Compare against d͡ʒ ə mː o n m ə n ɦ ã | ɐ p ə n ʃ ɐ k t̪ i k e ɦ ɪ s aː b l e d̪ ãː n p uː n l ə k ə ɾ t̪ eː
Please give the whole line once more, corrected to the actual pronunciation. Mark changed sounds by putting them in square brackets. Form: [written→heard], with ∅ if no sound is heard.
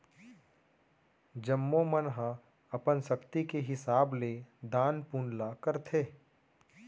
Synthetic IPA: d͡ʒ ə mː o [n→∅] m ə n ɦ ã | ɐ p ə n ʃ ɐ k t̪ i k e ɦ ɪ s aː b l e d̪ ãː n p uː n l [ə→a] k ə ɾ [t̪→t̪ʰ] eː